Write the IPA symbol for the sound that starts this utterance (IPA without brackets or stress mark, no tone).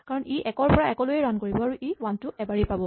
k